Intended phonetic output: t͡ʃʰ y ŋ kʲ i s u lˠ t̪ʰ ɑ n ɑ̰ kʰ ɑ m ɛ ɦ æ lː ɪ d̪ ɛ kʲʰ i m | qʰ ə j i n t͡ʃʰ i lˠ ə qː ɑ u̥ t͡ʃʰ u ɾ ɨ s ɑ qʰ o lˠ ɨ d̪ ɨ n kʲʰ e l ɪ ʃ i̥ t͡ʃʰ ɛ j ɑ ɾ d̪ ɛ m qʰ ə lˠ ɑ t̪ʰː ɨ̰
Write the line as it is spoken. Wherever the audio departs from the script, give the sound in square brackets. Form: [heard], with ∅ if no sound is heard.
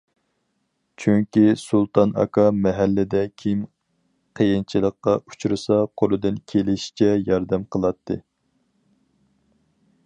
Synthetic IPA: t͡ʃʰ y ŋ kʲ i s u lˠ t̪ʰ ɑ n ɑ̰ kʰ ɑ m ɛ ɦ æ lː ɪ d̪ ɛ kʲʰ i m | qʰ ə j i n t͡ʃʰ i lˠ ə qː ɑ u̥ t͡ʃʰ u ɾ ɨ s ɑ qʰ o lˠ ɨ d̪ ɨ n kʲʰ e l ɪ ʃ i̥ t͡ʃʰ ɛ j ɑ ɾ d̪ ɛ m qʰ ə lˠ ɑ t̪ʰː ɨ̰